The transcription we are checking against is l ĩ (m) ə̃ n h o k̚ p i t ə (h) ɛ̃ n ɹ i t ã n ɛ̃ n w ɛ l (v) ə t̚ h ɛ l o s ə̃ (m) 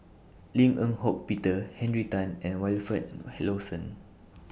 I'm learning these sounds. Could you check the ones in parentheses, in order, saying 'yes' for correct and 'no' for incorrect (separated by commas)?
no, yes, no, no